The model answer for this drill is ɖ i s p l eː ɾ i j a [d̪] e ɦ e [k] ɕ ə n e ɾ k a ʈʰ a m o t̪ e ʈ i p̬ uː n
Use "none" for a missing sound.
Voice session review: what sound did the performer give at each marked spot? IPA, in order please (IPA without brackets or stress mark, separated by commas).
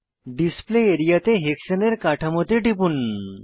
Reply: t̪, k